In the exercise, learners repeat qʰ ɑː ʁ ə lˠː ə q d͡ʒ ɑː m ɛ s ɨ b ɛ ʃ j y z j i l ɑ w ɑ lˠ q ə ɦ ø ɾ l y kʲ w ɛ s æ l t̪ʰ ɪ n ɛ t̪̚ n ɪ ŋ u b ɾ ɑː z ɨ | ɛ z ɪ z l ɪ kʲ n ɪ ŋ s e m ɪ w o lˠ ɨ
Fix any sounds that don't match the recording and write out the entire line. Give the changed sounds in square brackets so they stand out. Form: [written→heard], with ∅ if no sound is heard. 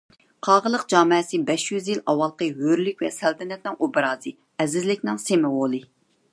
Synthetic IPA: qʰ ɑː ʁ ə [lˠː→lˠ] ə q d͡ʒ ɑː m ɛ s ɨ b ɛ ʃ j y z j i l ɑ w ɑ lˠ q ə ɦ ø ɾ l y kʲ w ɛ s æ l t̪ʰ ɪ n ɛ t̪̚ n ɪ ŋ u b ɾ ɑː z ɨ | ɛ z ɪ z l ɪ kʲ n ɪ ŋ s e m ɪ w o lˠ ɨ